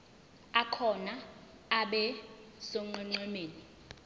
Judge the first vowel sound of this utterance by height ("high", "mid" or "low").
low